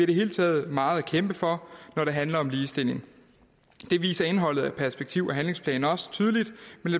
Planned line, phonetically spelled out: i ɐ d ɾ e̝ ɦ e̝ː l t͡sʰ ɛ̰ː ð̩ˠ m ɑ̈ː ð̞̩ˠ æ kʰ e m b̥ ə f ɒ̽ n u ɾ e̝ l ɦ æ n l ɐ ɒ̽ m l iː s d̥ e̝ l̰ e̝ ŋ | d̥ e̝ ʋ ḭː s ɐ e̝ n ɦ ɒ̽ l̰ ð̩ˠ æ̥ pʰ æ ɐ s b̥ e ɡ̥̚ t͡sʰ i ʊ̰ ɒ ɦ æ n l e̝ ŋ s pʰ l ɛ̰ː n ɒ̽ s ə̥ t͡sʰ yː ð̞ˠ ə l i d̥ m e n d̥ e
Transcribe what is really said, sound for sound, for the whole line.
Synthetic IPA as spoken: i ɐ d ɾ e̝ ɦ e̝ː l t͡sʰ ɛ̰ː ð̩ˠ m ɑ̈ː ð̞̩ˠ æ kʰ e m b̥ ə f ɒ̽ n ɒ ɾ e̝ ɦ æ n l ɐ ɒ̽ m l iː s d̥ e̝ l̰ e̝ ŋ | d̥ e̝ ʋ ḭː s ɐ e̝ n ɦ ɒ̽ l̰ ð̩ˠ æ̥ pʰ æ ɐ s b̥ e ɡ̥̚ t͡sʰ i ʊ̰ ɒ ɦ æ n l e̝ ŋ s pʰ l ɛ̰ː n ɒ̽ s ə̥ t͡sʰ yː ð̞ˠ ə l i d̥ m e n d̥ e